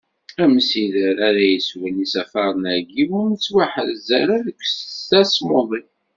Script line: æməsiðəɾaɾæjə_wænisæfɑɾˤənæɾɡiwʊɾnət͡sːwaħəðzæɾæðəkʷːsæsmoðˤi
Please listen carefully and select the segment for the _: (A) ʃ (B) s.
B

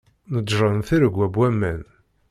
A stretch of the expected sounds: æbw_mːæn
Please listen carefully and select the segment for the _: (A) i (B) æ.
B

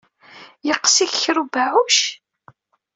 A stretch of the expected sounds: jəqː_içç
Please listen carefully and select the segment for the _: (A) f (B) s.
B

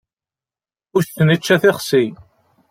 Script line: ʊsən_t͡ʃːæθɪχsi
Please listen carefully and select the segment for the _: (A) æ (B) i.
B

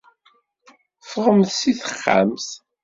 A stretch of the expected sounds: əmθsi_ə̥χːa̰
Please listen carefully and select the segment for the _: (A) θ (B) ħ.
A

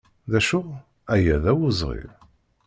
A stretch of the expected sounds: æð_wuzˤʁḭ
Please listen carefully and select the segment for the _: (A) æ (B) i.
A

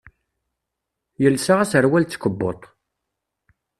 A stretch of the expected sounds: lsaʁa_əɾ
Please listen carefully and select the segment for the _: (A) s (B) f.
A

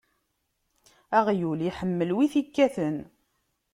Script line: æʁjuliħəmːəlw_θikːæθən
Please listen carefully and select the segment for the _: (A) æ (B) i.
B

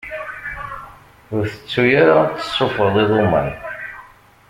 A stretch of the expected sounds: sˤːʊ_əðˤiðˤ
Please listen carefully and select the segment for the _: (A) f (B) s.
A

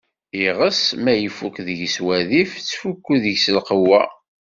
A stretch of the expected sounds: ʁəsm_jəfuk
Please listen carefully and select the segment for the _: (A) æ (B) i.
A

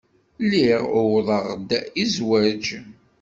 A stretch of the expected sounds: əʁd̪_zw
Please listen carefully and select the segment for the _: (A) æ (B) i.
B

